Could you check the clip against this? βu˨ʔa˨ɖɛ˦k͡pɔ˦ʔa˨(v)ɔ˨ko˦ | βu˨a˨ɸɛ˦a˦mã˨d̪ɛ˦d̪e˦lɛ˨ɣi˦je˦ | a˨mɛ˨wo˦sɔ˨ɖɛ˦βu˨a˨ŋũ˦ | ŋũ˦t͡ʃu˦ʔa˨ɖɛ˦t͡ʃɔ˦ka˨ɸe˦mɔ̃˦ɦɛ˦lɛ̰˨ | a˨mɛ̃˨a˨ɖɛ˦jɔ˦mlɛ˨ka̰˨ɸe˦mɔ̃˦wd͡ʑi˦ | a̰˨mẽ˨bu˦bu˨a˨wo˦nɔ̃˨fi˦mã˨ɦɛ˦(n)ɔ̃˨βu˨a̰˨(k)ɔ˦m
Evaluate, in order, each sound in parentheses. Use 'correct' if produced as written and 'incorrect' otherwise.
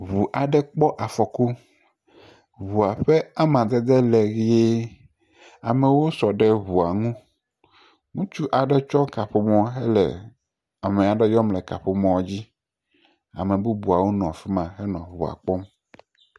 incorrect, correct, incorrect

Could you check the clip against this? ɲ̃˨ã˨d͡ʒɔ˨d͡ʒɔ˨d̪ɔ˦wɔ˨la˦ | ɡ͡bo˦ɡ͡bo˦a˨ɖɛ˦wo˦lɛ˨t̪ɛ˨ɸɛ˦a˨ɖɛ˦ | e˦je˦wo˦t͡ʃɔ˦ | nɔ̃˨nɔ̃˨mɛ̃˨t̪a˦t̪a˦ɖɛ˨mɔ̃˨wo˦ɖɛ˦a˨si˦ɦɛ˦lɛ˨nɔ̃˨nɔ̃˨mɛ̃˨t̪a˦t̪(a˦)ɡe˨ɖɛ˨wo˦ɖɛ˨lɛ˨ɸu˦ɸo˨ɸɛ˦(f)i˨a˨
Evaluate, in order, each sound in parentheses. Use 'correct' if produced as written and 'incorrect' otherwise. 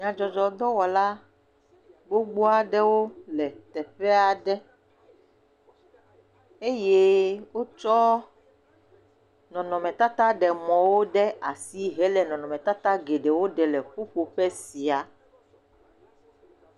correct, incorrect

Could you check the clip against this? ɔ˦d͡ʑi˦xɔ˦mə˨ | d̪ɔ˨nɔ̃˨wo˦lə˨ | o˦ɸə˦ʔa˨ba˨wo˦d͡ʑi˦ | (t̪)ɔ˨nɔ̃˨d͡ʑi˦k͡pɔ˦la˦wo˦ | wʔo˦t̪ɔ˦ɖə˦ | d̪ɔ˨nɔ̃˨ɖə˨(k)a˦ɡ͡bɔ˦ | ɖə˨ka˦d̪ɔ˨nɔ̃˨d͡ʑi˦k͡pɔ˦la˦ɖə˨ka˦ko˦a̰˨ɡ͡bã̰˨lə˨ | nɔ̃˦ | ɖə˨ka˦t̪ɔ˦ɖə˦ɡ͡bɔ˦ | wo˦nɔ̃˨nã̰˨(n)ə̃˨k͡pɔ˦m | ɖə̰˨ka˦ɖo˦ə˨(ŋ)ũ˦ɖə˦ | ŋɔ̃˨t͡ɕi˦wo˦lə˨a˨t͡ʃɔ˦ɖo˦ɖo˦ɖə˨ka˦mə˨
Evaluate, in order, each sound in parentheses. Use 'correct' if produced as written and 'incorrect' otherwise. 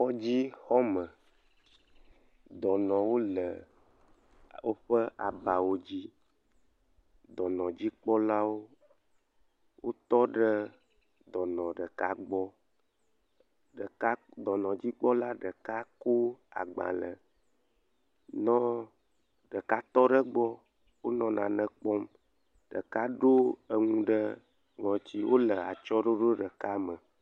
incorrect, correct, correct, correct

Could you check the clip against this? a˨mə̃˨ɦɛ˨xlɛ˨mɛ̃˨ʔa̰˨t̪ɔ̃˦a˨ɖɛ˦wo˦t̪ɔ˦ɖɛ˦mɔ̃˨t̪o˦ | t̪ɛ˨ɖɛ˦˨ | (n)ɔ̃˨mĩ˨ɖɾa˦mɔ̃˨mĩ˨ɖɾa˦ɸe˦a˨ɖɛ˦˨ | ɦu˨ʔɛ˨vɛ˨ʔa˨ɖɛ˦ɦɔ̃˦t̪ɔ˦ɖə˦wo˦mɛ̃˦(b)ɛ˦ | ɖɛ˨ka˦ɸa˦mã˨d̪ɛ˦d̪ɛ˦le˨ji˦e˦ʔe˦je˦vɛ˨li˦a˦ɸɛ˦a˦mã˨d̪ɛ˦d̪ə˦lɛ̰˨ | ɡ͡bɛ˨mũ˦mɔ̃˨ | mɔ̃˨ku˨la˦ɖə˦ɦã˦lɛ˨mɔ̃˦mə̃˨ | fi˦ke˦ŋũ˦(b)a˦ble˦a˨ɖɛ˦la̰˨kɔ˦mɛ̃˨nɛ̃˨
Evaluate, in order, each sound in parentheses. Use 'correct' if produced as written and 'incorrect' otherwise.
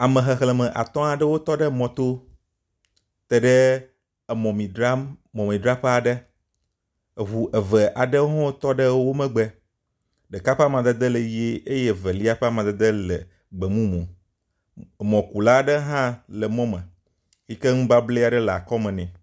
incorrect, incorrect, correct

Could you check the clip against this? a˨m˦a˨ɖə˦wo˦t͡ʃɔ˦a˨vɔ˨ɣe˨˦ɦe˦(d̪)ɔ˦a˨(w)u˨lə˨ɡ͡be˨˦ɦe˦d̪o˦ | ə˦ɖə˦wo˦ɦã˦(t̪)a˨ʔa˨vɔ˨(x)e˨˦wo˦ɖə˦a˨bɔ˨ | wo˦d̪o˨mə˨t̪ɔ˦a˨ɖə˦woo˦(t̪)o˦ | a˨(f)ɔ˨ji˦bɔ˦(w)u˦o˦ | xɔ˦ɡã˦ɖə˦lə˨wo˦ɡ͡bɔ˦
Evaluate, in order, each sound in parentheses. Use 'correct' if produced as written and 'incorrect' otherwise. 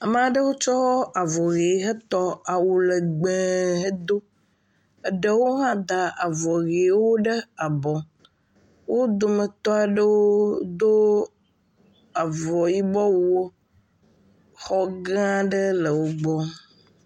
incorrect, correct, incorrect, incorrect, incorrect, incorrect, correct

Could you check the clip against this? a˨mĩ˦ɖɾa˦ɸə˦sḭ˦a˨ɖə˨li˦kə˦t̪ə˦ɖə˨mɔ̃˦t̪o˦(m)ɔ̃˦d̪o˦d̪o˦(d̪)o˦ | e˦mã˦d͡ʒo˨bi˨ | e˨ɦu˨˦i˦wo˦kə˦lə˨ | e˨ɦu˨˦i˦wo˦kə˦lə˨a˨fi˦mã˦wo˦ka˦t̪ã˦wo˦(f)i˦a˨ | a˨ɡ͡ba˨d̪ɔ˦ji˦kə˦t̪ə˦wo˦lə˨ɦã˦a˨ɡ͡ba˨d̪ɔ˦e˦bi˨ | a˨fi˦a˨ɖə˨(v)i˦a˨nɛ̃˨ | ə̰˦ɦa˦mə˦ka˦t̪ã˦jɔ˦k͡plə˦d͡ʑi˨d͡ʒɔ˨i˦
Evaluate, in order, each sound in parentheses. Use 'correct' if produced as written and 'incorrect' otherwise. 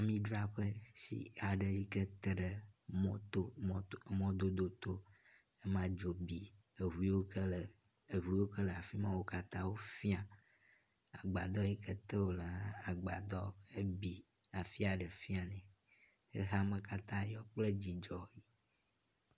correct, incorrect, correct, incorrect

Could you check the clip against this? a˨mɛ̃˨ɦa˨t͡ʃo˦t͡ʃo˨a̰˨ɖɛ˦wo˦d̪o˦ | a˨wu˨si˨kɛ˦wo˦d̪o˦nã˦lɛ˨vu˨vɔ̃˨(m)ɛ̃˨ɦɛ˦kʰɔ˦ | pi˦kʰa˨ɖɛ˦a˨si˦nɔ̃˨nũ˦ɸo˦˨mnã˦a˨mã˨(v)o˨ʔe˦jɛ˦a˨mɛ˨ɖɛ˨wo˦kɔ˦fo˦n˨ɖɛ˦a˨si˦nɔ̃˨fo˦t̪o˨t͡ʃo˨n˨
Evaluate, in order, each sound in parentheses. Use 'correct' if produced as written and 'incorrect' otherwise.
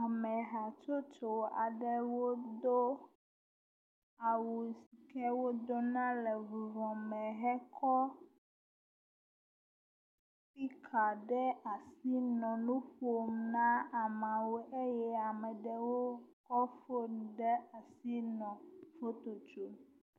correct, incorrect

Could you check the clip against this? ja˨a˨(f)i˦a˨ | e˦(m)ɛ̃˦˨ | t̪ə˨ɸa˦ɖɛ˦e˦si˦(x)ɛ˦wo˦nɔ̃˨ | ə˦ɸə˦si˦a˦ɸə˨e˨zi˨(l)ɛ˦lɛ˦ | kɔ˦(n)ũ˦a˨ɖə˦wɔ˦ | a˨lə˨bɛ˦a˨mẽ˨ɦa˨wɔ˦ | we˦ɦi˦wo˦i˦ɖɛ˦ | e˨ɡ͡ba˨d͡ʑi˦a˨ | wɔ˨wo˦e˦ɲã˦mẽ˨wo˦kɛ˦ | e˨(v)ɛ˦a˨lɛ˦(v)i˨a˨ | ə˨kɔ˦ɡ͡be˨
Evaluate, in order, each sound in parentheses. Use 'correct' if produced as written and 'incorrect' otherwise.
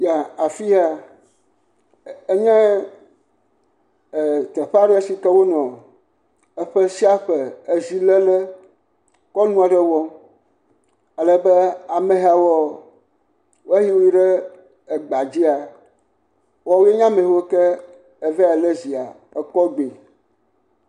correct, incorrect, incorrect, correct, correct, correct, incorrect

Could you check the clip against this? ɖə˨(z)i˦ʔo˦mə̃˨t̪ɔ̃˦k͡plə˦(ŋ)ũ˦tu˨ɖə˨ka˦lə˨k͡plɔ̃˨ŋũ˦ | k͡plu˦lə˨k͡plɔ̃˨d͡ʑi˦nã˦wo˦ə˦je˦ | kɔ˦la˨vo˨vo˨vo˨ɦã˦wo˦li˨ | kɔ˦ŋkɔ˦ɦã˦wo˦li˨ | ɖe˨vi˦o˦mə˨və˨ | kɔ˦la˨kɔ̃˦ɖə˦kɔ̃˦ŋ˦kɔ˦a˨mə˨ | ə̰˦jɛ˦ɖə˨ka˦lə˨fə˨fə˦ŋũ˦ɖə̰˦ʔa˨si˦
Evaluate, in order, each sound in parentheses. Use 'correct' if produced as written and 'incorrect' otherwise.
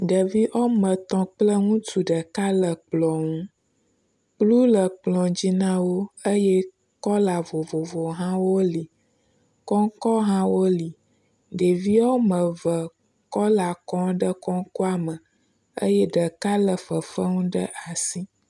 incorrect, correct

